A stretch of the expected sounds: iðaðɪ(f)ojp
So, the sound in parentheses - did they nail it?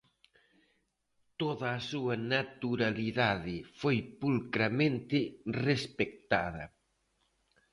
yes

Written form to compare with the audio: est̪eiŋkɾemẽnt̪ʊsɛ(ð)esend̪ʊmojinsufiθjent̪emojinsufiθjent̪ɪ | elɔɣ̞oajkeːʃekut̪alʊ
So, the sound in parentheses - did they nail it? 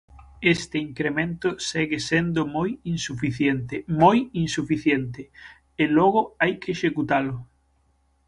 no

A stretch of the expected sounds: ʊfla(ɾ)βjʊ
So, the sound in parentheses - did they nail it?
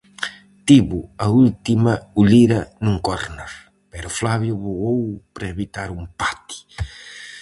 no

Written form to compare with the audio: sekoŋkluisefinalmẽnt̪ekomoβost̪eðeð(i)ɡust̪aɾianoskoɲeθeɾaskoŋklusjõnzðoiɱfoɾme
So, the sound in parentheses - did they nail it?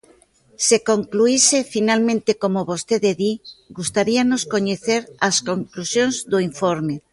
yes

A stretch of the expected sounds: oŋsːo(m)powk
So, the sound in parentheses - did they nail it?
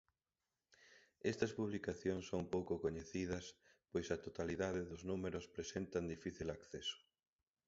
no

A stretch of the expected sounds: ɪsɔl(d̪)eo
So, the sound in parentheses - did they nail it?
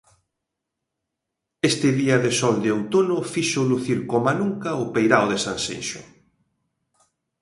yes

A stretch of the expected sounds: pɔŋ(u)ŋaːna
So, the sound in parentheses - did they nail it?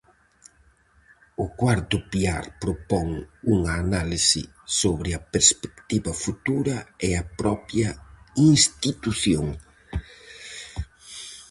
yes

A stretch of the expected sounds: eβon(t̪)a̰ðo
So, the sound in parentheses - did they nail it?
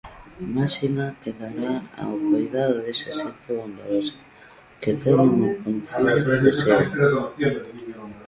no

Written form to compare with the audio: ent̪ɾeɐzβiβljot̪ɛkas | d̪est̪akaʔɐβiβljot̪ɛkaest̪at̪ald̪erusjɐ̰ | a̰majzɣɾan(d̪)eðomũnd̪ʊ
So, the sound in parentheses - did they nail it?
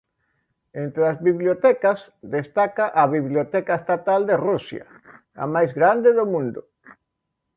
yes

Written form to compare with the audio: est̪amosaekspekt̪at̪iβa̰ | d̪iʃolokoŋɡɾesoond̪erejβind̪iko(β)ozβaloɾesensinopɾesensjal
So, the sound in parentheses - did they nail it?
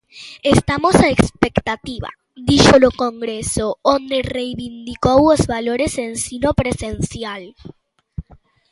no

